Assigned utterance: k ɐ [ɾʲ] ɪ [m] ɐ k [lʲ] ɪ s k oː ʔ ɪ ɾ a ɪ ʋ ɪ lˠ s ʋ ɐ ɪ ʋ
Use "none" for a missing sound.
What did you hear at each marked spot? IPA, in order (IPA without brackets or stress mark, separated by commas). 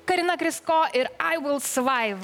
ɾʲ, n, ɾʲ